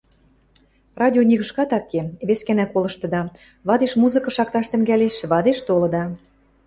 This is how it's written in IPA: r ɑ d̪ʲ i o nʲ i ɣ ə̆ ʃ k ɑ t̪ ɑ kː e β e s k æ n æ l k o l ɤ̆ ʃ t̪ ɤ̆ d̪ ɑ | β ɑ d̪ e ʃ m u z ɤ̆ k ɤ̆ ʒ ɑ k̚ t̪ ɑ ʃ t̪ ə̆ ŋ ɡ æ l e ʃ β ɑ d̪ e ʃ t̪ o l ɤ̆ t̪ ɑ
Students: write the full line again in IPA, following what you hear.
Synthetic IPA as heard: r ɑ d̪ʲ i o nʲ i ɣ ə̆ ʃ k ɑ t̪ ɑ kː e β e s k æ n æ k o l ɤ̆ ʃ t̪ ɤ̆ d̪ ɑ | β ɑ d̪ e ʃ m u z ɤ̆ k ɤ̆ ʃ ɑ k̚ t̪ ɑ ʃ t̪ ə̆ ŋ ɡ æ l e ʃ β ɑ d̪ e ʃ t̪ o l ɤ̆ d̪ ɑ